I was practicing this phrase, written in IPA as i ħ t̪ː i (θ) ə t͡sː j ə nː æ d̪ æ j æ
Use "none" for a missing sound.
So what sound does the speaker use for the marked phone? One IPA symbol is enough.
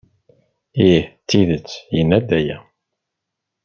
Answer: ð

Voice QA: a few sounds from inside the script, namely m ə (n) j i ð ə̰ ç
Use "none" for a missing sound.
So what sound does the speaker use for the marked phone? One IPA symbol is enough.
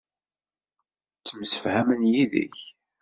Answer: n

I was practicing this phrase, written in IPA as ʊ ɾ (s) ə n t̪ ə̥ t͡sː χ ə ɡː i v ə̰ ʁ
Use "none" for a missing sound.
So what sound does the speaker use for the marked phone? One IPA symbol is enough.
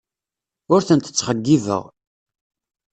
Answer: θ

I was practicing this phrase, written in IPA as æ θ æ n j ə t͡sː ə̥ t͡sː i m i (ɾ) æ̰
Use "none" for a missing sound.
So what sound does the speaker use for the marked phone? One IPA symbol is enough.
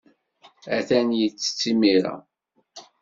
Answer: ɾ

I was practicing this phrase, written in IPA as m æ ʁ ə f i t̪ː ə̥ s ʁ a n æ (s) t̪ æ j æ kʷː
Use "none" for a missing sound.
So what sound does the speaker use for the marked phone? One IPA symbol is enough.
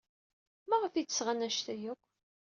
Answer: ʃ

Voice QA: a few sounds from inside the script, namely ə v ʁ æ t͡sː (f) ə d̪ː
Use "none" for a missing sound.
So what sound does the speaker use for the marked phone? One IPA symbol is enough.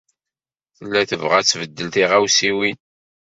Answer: v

